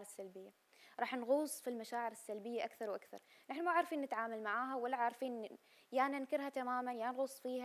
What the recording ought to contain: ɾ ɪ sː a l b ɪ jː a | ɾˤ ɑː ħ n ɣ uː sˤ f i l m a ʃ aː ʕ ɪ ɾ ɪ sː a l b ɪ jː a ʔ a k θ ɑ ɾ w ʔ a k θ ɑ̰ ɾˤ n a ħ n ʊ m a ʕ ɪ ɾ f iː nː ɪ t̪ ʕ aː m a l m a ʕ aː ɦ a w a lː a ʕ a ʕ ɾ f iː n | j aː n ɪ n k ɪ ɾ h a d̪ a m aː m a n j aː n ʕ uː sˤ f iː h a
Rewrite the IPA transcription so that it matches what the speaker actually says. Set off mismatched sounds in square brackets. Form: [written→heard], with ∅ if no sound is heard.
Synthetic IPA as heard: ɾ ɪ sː a l b ɪ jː a | ɾˤ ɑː ħ n ɣ uː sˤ f i l m a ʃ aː ʕ ɪ ɾ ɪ sː a l b ɪ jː a ʔ a k θ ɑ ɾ w ʔ a k θ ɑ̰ ɾˤ n a ħ n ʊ m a ʕ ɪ ɾ f iː nː ɪ t̪ ʕ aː m a l m a ʕ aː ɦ a w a lː a ʕ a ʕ ɾ f iː n | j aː n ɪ n k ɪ ɾ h a [d̪→t̪] a m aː m a n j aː n [ʕ→ɣ] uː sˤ f iː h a